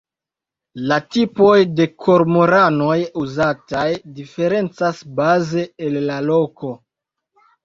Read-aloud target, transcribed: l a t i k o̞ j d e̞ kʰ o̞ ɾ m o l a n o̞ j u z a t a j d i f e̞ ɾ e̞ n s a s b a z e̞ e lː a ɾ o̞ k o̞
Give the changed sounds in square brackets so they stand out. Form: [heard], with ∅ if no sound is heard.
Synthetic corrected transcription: l a t i [p] o̞ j d e̞ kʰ o̞ ɾ m o [ɾ] a n o̞ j u z a t a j d i f e̞ ɾ e̞ n [t͡s] a s b a z e̞ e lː a [l] o̞ k o̞

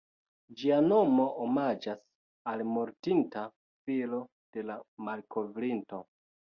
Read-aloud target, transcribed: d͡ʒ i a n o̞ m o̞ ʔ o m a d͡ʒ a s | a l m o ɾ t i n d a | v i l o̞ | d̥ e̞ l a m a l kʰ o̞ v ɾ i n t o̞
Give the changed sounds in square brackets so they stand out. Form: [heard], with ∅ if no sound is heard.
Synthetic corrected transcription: d͡ʒ i a n o̞ m o̞ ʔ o m a d͡ʒ a s | a l m o ɾ t i n [t] a | [f] i l o̞ | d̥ e̞ l a m a l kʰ o̞ v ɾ i n t o̞

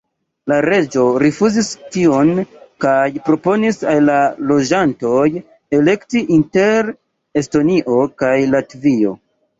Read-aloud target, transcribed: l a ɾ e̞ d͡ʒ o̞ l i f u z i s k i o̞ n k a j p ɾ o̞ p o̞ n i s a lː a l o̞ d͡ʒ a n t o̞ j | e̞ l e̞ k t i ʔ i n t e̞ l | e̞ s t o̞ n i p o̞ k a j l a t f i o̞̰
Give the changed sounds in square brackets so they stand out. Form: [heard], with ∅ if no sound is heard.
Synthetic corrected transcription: l a ɾ e̞ d͡ʒ o̞ [ɾ] i f u z i s [t] i o̞ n k a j p ɾ o̞ p o̞ n i s a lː a l o̞ d͡ʒ a n t o̞ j | e̞ l e̞ k t i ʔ i n t e̞ [ɾ] | e̞ s t o̞ n i [ʔ] o̞ k a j l a t [v] i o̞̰

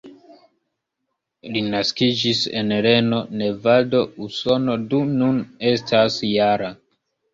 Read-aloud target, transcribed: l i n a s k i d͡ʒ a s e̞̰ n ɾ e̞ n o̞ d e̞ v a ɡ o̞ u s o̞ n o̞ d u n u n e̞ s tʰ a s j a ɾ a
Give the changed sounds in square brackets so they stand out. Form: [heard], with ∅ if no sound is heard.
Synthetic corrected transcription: l i n a s k i d͡ʒ [i] s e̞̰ n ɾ e̞ n o̞ [n] e̞ v a [d] o̞ u s o̞ n o̞ d u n u n e̞ s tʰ a s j a ɾ a

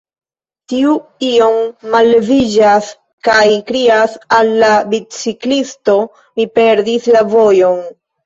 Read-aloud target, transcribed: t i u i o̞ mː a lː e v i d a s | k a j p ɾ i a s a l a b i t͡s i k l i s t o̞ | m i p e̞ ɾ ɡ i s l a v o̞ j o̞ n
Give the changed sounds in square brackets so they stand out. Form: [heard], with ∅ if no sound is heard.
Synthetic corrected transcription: t i u i o̞ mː a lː e v i [d͡ʒ] a s | k a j [k] ɾ i a s a [lː] a b i t͡s i k l i s t o̞ | m i p e̞ ɾ [d] i s l a v o̞ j o̞ n

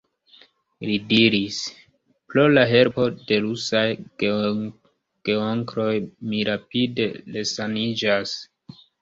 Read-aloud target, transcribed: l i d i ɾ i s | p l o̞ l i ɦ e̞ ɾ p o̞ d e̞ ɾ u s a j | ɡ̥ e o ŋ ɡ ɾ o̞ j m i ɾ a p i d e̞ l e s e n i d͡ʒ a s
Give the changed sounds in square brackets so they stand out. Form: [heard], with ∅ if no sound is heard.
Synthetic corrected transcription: l i d i ɾ i s | p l o̞ l [a] ɦ e̞ ɾ p o̞ d e̞ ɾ u s a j | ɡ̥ e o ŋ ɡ ɾ o̞ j m i ɾ a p i d e̞ l e s [a] n i d͡ʒ a s

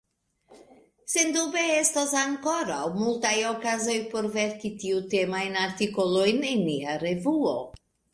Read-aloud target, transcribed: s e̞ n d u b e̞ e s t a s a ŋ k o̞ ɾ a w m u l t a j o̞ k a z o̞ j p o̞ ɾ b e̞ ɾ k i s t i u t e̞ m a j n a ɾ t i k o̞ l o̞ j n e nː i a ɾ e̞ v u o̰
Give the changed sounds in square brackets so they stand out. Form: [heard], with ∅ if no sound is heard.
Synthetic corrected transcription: s e̞ n d u b e̞ e s t a s a ŋ k o̞ ɾ a w m u l t a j o̞ k a z o̞ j p o̞ ɾ [v] e̞ ɾ k i [∅] t i u t e̞ m a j n a ɾ t i k o̞ l o̞ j n e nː i a ɾ e̞ v u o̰

